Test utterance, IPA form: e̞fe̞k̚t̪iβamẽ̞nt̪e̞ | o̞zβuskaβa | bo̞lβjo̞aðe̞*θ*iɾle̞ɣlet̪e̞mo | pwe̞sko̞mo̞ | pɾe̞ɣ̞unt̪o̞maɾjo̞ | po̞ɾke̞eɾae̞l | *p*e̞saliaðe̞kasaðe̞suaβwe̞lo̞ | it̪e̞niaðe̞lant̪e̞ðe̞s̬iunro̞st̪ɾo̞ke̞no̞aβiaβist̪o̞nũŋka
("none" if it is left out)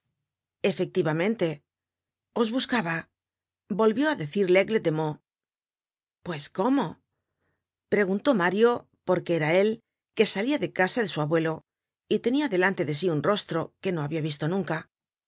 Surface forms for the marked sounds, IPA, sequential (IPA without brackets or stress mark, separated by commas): θ, k